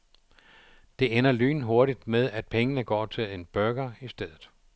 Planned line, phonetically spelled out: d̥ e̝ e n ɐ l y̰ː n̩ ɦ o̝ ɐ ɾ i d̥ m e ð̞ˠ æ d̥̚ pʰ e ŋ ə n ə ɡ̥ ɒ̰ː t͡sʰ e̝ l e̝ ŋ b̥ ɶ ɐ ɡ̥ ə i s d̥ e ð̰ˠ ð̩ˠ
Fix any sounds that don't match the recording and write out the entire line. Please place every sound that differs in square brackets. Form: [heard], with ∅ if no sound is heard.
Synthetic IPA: d̥ e̝ e n ɐ l y̰ː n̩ ɦ o̝ ɐ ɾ i d̥ m e ð̞ˠ æ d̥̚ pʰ e ŋ ə n ə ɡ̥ ɒ̰ː t͡sʰ e̝ l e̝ [n] b̥ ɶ ɐ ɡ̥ [ɐ] i s d̥ e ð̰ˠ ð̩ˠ